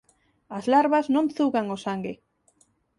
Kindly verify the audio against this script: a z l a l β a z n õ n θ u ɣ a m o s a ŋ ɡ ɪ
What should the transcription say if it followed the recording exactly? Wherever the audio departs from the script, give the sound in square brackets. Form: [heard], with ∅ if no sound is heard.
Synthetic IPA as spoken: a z l a [ɾ] β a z n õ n θ u ɣ a [ŋ] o s a ŋ ɡ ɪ